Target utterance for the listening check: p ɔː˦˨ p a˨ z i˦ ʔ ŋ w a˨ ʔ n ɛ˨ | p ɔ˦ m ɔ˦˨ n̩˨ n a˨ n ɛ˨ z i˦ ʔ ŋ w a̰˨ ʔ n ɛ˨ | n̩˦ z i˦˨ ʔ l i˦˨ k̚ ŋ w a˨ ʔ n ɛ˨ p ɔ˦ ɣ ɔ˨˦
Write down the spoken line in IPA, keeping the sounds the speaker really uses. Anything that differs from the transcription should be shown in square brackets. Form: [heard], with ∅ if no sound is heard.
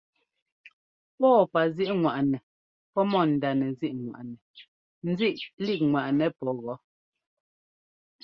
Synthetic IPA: p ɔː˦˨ p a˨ z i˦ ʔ ŋ w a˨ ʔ n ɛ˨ | p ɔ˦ m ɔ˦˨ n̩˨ [d] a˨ n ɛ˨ z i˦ ʔ ŋ w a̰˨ ʔ n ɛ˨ | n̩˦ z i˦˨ ʔ l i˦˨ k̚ ŋ w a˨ ʔ n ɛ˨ p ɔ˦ ɣ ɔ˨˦